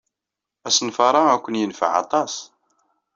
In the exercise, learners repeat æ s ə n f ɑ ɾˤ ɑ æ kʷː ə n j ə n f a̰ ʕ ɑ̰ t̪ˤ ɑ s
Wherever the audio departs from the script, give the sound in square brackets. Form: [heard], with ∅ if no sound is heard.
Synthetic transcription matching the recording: æ s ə n f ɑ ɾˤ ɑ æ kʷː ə n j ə n f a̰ ʕ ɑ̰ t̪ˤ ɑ s